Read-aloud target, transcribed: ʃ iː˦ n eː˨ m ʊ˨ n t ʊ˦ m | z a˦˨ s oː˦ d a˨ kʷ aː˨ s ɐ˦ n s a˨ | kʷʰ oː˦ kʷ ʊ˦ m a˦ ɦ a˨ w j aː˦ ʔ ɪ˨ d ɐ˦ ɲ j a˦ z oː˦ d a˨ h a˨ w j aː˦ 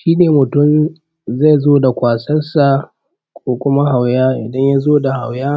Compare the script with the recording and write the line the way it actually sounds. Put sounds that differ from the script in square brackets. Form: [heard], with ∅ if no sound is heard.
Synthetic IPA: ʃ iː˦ n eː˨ m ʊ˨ [∅] t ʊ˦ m | z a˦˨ [z] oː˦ d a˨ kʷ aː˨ s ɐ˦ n s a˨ | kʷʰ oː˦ kʷ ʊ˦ m a˦ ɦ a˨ w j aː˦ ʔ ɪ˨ d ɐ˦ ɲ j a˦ z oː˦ d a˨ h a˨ w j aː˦